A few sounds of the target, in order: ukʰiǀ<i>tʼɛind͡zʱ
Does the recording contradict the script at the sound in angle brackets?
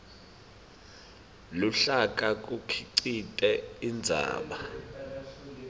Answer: no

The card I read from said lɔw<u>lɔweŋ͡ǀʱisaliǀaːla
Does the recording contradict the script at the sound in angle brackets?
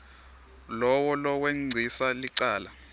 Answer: yes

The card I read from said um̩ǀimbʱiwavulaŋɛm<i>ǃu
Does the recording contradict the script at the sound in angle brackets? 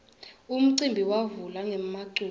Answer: yes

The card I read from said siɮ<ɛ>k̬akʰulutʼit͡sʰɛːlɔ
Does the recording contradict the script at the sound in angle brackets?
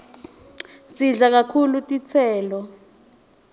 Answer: yes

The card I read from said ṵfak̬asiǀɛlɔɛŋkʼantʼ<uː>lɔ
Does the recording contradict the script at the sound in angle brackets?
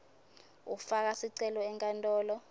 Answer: yes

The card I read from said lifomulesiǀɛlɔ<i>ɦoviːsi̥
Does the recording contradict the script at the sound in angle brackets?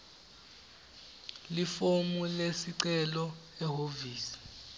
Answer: yes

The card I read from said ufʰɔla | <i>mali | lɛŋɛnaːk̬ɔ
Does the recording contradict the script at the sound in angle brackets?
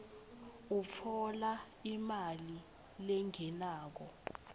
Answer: no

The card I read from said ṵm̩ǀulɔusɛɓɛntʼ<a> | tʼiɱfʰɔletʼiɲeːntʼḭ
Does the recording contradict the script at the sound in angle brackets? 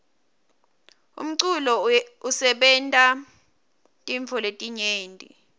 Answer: no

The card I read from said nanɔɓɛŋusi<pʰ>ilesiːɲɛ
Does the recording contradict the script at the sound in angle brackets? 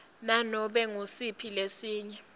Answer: no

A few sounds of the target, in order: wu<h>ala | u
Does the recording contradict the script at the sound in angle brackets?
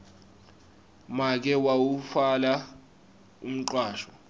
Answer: yes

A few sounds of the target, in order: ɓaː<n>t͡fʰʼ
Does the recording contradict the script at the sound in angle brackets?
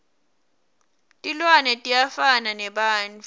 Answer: no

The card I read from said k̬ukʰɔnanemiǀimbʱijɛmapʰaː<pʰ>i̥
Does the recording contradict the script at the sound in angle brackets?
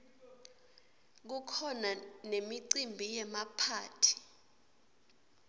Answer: yes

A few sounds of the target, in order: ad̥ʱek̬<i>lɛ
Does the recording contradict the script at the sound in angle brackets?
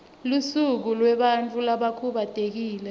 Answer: yes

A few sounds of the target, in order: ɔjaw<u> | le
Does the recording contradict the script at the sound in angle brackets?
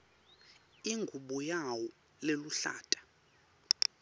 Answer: yes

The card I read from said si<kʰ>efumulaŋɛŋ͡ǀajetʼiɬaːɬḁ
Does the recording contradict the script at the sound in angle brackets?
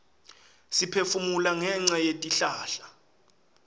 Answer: yes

